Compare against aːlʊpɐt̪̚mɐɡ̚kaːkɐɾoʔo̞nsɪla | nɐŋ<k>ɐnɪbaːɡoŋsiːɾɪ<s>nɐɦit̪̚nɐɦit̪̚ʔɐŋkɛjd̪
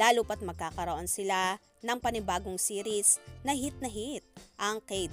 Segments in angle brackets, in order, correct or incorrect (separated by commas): incorrect, correct